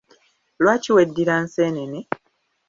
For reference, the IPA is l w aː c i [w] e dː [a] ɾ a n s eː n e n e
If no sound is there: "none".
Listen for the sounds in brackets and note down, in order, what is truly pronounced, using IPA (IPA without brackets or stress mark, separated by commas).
w, i